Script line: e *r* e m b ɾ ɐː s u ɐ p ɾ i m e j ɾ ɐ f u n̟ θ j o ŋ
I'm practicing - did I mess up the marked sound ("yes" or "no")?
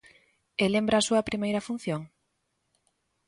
yes